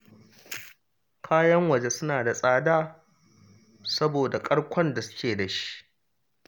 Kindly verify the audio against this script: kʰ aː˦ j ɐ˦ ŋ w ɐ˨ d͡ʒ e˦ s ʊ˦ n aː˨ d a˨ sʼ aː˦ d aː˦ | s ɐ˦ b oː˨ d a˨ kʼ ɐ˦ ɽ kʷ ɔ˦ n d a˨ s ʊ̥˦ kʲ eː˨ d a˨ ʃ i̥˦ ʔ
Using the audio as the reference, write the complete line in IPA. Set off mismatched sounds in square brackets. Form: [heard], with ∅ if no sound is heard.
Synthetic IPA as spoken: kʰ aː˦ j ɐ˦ ŋ w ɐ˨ d͡ʒ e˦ s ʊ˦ n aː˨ d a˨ sʼ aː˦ d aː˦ | s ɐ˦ b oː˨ d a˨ kʼ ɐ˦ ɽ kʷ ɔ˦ n d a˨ s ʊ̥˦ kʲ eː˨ d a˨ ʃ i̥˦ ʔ